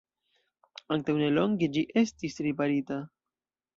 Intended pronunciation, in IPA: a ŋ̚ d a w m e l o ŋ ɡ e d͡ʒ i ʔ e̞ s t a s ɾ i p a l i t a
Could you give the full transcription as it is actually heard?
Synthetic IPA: a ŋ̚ t a w n e l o ŋ ɡ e d͡ʒ i ʔ e̞ s t i s ɾ i p a ɾ i t a